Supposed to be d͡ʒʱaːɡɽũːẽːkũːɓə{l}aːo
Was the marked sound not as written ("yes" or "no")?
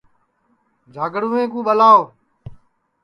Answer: no